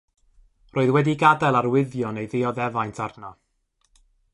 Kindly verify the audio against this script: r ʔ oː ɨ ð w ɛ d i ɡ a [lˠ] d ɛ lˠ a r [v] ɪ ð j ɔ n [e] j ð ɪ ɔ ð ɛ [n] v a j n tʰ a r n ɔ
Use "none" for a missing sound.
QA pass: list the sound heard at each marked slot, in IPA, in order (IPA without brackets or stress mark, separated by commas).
none, w, e, none